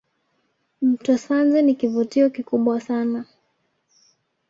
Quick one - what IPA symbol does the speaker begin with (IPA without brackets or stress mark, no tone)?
m̩